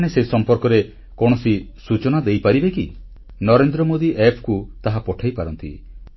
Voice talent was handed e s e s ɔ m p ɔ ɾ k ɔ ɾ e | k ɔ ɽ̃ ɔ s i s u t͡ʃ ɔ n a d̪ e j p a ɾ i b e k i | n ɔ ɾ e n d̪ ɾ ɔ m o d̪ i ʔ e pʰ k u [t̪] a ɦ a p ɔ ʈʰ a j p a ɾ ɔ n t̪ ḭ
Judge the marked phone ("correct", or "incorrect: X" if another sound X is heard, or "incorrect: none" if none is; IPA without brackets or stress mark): correct